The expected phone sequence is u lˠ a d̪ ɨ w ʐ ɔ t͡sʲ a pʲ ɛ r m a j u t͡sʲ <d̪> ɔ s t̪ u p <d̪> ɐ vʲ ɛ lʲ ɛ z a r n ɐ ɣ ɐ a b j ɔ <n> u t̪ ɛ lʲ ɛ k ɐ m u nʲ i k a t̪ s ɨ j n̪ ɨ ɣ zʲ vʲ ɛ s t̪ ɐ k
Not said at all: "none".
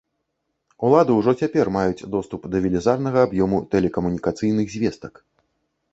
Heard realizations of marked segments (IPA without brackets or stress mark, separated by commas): d̪, d̪, m